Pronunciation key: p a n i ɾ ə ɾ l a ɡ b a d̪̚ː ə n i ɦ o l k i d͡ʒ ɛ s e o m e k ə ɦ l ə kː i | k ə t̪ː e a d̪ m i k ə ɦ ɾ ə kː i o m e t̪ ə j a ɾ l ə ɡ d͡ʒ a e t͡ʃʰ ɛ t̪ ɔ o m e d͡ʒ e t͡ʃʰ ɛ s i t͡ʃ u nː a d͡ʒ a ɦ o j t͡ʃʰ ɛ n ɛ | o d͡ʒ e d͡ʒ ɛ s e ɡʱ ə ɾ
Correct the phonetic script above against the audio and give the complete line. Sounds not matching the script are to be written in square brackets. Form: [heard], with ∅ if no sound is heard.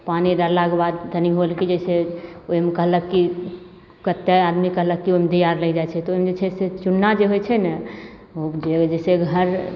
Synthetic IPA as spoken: p a n i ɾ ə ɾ l a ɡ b a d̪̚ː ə n i ɦ o l k i d͡ʒ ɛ s e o m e k ə ɦ l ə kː i | k ə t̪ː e a d̪ m i k ə ɦ [l] ə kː i o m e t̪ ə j a ɾ l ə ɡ d͡ʒ a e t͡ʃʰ ɛ t̪ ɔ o m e d͡ʒ e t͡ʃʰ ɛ s [e] t͡ʃ u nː a d͡ʒ [e] ɦ o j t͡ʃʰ ɛ n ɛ | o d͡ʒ e d͡ʒ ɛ s e ɡʱ ə ɾ